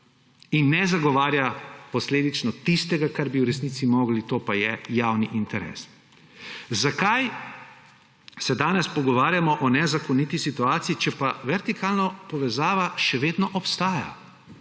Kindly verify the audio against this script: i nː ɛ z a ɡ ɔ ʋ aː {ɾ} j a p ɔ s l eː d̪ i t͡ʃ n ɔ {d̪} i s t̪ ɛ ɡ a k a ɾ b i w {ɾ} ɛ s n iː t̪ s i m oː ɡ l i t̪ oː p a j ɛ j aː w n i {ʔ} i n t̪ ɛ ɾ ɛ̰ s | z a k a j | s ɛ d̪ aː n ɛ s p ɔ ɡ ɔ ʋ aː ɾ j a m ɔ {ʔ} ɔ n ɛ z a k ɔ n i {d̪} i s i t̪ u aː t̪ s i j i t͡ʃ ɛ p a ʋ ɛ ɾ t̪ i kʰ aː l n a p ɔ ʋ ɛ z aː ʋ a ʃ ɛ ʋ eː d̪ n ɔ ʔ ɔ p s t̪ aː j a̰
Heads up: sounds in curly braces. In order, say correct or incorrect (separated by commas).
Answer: correct, incorrect, correct, correct, correct, incorrect